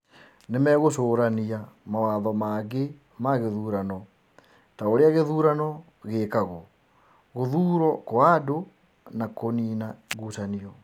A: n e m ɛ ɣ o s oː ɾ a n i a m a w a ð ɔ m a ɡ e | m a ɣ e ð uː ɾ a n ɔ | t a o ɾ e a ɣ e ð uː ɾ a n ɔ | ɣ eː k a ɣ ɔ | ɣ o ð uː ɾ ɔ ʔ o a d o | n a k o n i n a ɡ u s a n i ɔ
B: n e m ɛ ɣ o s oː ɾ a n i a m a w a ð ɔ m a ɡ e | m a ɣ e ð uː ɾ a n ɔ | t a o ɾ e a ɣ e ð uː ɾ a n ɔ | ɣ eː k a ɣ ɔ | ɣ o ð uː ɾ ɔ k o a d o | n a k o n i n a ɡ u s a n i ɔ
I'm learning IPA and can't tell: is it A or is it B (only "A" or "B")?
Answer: B